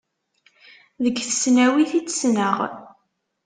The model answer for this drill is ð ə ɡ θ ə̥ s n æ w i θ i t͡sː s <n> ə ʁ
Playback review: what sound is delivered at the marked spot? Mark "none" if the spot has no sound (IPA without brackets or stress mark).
n